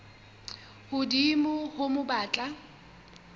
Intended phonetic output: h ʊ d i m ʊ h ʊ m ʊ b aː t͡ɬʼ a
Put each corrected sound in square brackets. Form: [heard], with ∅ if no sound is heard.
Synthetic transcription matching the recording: h ʊ d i m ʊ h ʊ m ʊ b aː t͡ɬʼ a